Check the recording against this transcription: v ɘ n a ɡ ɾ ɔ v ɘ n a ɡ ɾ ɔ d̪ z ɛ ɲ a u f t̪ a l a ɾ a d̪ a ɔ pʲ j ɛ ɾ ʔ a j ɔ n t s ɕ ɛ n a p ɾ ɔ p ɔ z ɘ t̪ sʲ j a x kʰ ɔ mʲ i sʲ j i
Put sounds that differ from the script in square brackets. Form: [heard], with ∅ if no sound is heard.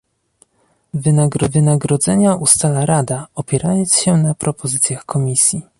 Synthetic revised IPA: v ɘ n a ɡ ɾ ɔ v ɘ n a ɡ ɾ ɔ d̪ z ɛ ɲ a u [s] t̪ a l a ɾ a d̪ a ɔ pʲ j ɛ ɾ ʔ a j ɔ n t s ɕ ɛ n a p ɾ ɔ p ɔ z ɘ t̪ sʲ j a x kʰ ɔ mʲ i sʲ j i